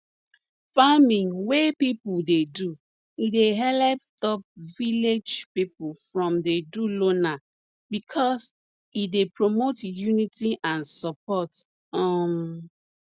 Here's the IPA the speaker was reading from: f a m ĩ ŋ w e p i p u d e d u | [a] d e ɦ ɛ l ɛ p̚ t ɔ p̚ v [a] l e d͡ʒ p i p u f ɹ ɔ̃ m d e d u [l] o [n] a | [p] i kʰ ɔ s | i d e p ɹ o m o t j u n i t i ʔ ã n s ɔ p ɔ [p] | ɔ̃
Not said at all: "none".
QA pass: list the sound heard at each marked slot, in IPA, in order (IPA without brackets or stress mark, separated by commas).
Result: i, i, l, n, b, t